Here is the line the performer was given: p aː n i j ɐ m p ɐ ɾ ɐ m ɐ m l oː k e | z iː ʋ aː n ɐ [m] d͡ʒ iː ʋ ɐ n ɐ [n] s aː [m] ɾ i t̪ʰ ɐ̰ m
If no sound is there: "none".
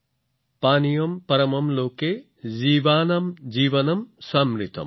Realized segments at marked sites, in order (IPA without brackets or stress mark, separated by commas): m, m, m